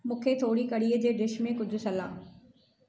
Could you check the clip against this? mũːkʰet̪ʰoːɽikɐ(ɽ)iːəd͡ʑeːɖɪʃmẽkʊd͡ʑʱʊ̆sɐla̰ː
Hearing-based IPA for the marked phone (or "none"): ɽ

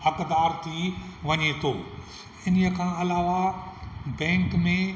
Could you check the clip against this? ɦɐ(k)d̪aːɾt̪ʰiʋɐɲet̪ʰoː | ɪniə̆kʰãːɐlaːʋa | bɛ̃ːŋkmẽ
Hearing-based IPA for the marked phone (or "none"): k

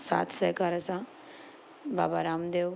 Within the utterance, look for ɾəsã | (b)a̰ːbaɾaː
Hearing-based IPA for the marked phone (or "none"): b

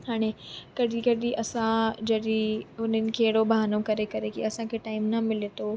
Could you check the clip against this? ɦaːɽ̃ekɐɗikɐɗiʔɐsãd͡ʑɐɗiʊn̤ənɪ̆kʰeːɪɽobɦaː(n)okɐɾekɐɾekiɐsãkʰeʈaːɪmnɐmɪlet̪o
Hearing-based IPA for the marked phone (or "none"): n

